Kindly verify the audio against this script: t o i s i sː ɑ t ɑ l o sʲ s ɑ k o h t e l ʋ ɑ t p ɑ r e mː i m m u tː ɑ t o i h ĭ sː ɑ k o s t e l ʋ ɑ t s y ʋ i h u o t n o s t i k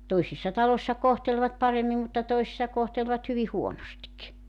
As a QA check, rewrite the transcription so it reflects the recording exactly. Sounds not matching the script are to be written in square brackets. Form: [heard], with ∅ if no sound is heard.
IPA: t o i s i sː ɑ t ɑ l o sʲ s ɑ k o h t e l ʋ ɑ t p ɑ r e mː i m m u tː ɑ t o i [s] ĭ sː ɑ k o [h] t e l ʋ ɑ t [h] y ʋ i h u o [∅] n o s t i k